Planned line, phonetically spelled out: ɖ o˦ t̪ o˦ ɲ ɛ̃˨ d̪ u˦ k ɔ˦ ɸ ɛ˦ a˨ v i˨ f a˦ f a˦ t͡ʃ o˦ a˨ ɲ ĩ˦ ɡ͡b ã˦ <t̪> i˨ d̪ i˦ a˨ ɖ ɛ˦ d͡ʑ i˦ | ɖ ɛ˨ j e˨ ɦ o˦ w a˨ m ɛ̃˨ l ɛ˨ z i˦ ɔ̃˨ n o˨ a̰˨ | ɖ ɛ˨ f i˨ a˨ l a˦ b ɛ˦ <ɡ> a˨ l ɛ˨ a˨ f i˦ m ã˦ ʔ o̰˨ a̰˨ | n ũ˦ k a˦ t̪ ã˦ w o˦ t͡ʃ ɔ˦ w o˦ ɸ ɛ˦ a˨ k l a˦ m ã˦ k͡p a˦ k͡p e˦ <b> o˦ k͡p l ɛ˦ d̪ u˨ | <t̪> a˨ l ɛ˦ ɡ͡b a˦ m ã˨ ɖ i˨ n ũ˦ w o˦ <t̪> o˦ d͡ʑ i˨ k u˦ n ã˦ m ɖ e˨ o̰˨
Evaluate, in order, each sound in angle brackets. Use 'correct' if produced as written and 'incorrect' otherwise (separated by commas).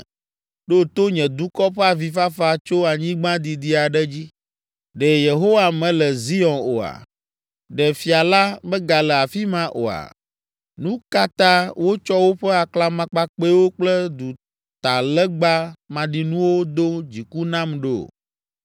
incorrect, correct, incorrect, correct, incorrect